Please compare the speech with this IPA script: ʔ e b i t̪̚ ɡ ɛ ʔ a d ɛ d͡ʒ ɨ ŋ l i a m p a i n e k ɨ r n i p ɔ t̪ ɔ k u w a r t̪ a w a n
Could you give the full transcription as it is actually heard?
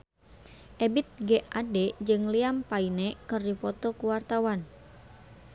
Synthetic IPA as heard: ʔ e b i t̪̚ ɡ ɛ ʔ a d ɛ d͡ʒ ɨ ŋ l i a m p a i n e k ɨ r d i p ɔ t̪ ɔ k u w a r t̪ a w a n